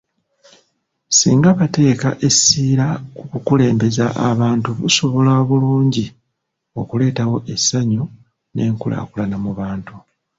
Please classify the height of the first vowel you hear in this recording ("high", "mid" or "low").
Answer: high